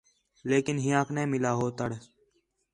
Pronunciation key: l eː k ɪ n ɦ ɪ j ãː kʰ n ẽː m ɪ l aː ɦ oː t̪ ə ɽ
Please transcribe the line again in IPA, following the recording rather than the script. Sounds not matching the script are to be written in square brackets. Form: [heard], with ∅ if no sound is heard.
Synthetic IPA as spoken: l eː k ɪ n ɦ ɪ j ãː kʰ n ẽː m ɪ l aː ɦ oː t̪ ə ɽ